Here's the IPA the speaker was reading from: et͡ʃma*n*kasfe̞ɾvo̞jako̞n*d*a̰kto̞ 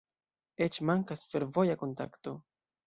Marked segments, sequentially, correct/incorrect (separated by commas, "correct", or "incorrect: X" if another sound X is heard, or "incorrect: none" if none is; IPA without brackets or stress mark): incorrect: ŋ, incorrect: t